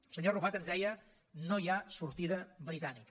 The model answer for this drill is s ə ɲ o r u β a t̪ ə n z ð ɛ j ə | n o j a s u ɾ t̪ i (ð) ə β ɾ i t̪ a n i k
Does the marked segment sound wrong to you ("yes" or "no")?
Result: no